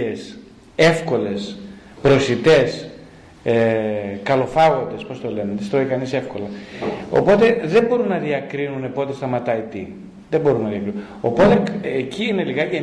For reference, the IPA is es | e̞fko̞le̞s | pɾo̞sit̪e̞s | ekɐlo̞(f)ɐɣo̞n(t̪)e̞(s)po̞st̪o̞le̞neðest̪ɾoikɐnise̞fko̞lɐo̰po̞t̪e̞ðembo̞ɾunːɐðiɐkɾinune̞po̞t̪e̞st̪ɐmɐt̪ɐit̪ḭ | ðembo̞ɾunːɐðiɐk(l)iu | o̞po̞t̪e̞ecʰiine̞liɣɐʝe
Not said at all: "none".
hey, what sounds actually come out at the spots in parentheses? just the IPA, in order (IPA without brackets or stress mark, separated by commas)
f, d̪, s, ɾ